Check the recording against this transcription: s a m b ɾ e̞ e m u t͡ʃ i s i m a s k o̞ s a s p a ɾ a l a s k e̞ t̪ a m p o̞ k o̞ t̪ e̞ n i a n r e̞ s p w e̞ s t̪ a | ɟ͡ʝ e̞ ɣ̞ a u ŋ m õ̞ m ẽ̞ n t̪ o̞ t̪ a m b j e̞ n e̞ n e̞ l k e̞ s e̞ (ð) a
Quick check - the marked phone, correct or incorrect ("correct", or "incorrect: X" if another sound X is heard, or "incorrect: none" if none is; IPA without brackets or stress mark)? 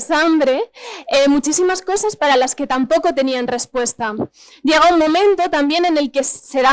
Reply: correct